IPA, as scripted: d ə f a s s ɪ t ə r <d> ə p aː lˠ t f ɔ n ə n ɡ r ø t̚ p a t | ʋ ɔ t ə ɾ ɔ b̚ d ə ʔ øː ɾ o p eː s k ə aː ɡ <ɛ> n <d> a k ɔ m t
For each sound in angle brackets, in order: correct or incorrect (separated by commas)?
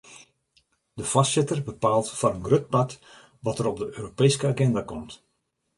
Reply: incorrect, correct, correct